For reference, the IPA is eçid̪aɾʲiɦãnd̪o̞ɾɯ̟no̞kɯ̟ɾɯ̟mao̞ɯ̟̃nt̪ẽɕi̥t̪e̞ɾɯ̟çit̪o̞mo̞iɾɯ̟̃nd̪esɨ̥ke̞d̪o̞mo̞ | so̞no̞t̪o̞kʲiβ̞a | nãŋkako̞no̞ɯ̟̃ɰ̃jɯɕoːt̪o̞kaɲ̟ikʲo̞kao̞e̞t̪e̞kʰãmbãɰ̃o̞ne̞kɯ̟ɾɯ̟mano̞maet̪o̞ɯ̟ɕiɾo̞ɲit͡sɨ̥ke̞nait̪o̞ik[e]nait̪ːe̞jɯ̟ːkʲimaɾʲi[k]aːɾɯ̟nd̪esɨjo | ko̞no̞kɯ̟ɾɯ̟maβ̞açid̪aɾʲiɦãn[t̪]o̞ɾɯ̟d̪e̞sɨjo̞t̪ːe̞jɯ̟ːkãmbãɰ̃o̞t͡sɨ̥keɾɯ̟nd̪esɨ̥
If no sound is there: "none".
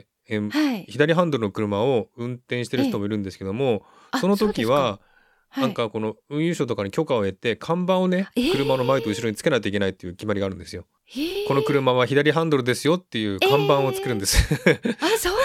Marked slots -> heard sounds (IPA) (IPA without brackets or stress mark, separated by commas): e, ɡ, d̪